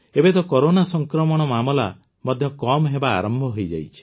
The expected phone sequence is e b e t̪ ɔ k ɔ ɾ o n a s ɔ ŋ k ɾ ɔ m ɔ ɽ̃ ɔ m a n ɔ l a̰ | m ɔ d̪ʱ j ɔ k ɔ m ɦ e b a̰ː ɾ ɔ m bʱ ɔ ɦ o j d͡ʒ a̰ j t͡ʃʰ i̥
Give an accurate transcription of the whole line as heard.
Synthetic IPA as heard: e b e t̪ ɔ k ɔ ɾ o n a s ɔ ŋ k ɾ ɔ m ɔ ɽ̃ ɔ m a m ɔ l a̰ | m ɔ d̪ʱ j ɔ k ɔ m ɦ e b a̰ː ɾ ɔ m bʱ ɔ ɦ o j d͡ʒ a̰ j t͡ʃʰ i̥